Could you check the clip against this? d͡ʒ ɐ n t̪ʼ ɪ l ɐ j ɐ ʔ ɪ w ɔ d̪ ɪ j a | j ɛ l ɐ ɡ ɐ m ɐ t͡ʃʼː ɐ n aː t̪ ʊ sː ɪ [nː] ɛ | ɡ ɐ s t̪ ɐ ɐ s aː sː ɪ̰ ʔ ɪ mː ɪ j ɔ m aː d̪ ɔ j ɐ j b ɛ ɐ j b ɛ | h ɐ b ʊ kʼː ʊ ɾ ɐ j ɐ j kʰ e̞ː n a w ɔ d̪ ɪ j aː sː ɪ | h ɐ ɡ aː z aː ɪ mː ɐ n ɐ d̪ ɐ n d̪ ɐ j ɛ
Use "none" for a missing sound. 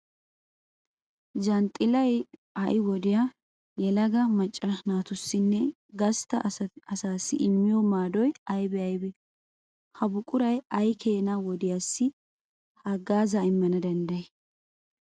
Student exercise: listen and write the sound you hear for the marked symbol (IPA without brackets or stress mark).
nː